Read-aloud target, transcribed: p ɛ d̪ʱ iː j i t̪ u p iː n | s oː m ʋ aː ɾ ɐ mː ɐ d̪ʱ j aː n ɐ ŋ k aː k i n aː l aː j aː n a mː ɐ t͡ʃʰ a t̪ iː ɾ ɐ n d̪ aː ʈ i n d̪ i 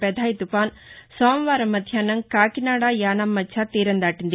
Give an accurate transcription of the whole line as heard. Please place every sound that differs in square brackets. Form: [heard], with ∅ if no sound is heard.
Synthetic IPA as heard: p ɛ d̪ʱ [aː] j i t̪ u p [aː] n | s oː m ʋ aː ɾ ɐ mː ɐ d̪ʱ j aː n ɐ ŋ k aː k i n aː [ɽ] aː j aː n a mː ɐ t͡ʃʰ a t̪ iː ɾ ɐ n d̪ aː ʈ i n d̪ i

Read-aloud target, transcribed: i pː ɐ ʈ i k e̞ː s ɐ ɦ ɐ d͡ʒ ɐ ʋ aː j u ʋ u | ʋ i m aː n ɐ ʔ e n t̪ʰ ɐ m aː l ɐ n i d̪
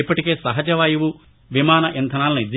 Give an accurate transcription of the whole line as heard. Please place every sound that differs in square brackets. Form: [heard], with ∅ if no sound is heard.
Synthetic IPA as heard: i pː ɐ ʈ i k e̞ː s ɐ ɦ ɐ d͡ʒ ɐ ʋ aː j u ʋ u | ʋ i m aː n ɐ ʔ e n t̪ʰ ɐ [n] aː l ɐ n i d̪

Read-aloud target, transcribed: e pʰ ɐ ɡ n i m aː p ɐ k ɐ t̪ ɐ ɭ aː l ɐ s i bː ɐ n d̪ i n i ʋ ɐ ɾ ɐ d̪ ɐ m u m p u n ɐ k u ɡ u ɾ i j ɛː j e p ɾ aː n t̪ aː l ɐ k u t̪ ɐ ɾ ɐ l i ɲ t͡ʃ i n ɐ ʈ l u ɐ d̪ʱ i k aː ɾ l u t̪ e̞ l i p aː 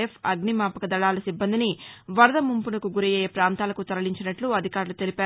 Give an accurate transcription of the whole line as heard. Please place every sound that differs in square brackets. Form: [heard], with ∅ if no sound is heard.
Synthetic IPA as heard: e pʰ ɐ ɡ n i m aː p ɐ k ɐ [d̪] ɐ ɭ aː l ɐ s i bː ɐ n d̪ i n i ʋ ɐ ɾ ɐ d̪ ɐ m u m p u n ɐ k u ɡ u ɾ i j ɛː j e p ɾ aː n t̪ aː l ɐ k u t̪ ɐ ɾ ɐ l i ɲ t͡ʃ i n ɐ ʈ l u ɐ d̪ʱ i k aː ɾ l u t̪ e̞ l i p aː

